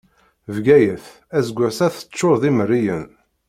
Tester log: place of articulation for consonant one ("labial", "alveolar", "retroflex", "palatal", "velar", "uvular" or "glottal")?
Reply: labial